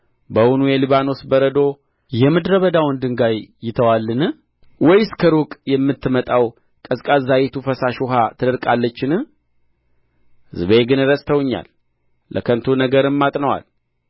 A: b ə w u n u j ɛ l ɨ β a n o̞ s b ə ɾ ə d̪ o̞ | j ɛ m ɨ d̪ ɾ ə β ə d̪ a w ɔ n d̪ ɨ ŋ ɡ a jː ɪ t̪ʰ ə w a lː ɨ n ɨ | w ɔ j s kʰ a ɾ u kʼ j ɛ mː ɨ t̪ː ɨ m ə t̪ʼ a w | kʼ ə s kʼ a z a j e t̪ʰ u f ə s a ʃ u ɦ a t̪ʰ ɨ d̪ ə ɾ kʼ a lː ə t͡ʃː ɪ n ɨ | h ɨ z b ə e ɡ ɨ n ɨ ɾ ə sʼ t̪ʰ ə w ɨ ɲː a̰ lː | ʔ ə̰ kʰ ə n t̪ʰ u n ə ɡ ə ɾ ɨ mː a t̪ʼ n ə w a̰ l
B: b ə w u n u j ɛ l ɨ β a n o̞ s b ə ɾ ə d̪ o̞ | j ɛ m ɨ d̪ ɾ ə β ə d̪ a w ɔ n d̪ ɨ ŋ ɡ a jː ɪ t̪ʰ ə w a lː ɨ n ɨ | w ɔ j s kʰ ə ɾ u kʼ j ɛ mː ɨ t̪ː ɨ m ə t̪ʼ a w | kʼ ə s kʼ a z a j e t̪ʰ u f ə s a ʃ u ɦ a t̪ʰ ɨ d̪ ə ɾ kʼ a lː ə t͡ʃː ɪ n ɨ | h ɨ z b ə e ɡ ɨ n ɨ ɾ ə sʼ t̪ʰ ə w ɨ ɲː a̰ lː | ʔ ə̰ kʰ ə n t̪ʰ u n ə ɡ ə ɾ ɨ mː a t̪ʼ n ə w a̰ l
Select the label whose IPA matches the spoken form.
B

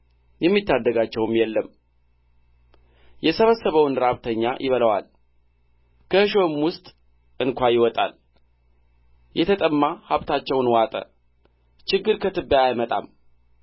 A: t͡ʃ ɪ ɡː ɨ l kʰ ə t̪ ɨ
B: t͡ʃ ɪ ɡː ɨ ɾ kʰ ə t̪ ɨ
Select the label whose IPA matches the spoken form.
B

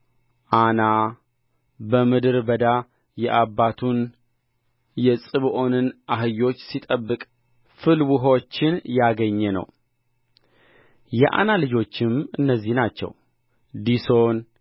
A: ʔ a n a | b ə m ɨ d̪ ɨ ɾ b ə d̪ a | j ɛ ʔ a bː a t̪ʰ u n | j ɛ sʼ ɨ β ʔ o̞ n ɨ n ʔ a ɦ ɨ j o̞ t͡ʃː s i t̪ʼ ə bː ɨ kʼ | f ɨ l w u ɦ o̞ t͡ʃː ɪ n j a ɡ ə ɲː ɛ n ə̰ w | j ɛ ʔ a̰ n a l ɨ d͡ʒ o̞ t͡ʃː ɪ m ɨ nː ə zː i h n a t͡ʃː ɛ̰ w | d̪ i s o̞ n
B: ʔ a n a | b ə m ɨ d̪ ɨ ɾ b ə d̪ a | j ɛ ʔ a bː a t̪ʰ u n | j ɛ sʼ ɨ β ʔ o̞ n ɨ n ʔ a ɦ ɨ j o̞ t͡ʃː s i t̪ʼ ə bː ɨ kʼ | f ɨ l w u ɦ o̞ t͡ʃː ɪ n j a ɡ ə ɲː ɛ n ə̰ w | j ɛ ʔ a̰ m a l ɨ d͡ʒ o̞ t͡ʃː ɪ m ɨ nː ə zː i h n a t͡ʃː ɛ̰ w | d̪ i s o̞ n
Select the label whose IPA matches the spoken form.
A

